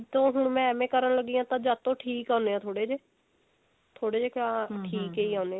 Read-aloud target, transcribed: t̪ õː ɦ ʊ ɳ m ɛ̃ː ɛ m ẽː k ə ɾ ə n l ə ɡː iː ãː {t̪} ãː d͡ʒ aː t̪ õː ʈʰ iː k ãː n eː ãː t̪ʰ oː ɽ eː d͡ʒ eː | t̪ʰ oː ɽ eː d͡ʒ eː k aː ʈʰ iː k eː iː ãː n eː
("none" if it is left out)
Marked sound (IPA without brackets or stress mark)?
t̪